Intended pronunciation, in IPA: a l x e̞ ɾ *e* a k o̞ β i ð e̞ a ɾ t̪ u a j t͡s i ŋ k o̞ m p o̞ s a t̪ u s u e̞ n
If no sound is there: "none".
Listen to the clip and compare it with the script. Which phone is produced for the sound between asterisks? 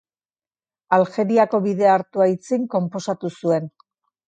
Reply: i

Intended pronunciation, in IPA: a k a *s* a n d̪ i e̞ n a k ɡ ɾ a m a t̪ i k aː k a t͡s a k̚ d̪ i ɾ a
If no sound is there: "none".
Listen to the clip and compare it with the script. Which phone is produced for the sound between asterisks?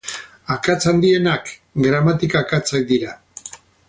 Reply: t͡s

